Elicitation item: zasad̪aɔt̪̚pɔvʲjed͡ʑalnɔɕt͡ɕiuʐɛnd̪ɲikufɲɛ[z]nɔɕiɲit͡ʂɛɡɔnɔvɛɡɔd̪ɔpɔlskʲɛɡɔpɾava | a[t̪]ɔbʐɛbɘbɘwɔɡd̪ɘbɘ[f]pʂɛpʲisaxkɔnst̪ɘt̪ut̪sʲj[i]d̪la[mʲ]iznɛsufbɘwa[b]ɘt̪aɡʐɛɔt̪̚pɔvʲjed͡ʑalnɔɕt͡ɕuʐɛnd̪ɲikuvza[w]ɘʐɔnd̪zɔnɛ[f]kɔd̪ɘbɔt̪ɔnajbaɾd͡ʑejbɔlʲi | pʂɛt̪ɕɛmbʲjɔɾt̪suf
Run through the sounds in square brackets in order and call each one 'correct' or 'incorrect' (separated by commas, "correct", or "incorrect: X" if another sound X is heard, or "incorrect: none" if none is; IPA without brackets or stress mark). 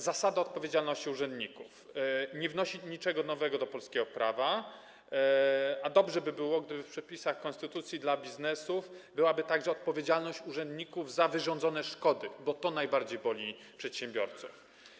incorrect: v, incorrect: d̪, correct, correct, incorrect: bʲ, correct, incorrect: v, incorrect: ʂ